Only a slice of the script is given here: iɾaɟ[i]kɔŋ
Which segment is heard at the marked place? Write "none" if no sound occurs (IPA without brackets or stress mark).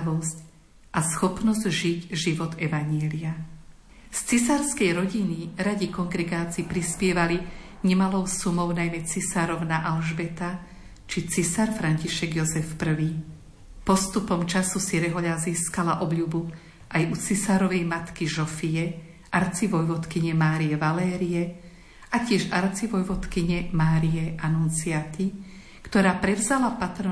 i